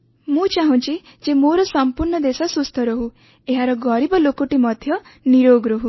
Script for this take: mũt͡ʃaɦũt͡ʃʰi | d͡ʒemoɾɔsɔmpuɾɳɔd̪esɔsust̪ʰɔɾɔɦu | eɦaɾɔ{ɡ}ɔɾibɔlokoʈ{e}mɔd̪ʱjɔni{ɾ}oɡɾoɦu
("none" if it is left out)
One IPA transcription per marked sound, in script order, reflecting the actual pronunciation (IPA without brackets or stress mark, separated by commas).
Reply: ɡ, i, ɾ